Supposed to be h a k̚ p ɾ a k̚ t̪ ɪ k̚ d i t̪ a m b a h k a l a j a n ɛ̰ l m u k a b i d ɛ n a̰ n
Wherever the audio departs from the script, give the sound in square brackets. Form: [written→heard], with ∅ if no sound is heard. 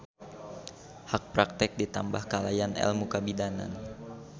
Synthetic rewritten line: h a k̚ p ɾ a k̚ t̪ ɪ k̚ d i t̪ a m b a h k a l a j a n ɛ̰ l m u k a b i d [ɛ→a] n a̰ n